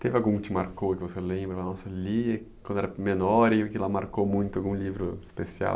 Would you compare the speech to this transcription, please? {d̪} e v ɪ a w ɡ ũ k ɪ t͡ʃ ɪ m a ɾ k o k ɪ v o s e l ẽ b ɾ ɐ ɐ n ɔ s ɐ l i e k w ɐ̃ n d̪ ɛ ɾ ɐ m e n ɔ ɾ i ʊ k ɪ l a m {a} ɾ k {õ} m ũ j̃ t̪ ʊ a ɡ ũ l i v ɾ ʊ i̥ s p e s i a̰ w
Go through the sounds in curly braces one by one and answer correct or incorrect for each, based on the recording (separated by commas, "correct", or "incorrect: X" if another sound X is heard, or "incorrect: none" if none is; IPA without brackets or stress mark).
incorrect: t̪, correct, incorrect: o